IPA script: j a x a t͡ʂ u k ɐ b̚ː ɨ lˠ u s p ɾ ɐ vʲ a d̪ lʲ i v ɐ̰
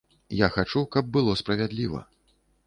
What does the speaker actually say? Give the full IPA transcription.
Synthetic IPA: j a x a t͡ʂ u k ɐ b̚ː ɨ lˠ ɔ s p ɾ ɐ vʲ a d̪ lʲ i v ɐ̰